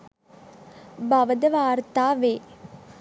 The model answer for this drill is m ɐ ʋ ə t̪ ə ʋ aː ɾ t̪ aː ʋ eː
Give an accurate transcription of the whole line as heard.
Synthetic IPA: b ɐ ʋ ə d̪ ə ʋ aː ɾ t̪ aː ʋ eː